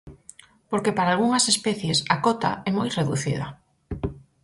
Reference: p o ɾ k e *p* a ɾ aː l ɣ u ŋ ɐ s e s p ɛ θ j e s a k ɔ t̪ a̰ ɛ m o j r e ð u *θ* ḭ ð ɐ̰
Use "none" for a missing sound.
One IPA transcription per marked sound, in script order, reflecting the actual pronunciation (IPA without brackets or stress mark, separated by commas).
p, θ